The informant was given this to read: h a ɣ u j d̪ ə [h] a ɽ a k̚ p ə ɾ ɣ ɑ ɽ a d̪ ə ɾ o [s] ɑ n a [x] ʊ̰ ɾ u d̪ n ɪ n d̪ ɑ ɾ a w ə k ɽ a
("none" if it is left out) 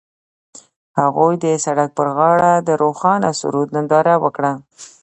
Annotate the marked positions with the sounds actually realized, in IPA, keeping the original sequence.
s, x, s

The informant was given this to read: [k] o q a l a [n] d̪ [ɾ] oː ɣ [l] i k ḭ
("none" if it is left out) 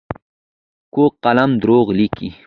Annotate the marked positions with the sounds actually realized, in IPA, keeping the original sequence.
k, m, ɾ, l

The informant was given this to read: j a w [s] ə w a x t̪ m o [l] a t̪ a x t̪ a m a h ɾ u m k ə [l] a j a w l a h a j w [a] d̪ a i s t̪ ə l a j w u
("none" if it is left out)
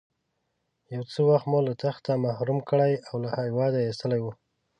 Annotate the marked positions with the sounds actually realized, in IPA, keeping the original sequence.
t͡s, l, ɽ, ɑ

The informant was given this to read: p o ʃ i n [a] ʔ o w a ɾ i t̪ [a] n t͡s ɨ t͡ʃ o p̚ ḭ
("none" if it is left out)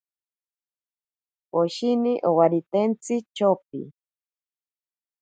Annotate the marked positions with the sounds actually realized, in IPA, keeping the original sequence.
i, e

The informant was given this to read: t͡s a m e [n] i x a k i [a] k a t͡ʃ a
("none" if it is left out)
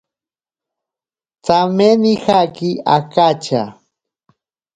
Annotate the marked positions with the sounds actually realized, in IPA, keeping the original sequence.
n, a

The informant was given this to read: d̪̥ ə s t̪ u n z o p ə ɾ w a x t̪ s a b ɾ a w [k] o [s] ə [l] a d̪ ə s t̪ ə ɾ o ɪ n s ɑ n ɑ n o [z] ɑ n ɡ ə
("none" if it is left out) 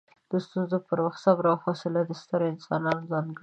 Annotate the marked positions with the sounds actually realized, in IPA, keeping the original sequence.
x, s, l, z

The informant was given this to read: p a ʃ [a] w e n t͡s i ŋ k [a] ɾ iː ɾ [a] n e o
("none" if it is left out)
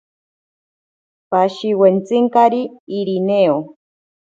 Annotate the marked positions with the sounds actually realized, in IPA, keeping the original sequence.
i, a, i

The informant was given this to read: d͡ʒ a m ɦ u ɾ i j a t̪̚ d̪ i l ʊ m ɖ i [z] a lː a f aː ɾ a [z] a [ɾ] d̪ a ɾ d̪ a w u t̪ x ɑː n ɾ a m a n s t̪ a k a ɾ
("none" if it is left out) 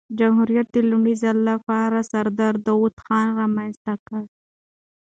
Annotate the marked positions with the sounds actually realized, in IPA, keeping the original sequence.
z, s, ɾ

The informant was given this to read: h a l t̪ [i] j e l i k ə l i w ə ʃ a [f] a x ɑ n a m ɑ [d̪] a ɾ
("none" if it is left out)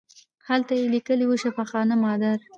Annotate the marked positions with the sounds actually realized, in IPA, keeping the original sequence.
a, f, d̪

